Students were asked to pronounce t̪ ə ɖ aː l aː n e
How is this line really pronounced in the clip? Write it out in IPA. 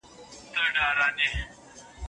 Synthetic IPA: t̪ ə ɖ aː ɾ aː n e